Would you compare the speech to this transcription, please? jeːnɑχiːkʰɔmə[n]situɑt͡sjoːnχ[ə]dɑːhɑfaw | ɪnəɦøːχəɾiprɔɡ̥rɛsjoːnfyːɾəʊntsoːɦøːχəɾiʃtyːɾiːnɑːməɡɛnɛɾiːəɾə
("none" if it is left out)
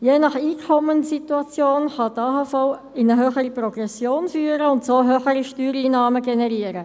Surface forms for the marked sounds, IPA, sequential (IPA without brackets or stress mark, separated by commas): n, ɑ